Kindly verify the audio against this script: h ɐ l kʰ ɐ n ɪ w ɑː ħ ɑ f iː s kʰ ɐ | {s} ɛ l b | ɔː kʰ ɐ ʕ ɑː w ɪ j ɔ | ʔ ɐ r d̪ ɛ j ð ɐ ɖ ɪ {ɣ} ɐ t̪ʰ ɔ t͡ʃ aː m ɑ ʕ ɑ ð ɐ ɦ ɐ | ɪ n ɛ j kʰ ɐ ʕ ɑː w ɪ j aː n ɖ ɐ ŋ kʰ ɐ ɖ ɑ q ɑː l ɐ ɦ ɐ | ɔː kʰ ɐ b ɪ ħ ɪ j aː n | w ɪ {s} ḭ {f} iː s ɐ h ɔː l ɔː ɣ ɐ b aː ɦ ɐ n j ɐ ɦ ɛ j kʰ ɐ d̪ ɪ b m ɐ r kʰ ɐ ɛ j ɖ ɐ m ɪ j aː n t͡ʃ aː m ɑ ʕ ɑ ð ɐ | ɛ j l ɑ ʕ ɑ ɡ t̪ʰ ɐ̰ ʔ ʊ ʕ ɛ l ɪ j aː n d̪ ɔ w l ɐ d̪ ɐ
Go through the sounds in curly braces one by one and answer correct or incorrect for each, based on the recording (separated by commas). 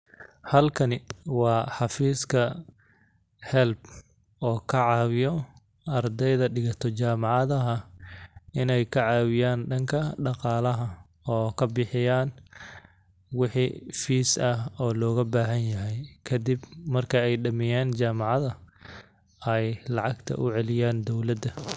incorrect, correct, incorrect, correct